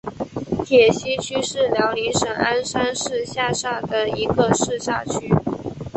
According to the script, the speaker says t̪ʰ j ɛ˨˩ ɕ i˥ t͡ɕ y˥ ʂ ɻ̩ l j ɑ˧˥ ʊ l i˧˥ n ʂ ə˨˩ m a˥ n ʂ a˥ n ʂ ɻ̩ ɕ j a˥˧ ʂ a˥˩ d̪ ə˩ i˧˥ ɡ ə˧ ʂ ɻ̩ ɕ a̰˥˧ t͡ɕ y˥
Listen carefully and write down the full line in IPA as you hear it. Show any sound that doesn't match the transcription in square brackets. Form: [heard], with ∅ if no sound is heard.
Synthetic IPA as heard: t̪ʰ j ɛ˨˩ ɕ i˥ [t͡ɕʰ] y˥ ʂ ɻ̩ l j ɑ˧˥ ʊ l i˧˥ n ʂ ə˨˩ [ŋ] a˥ n ʂ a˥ n ʂ ɻ̩ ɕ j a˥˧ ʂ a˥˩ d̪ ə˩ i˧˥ ɡ ə˧ ʂ ɻ̩ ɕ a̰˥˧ [t͡ɕʰ] y˥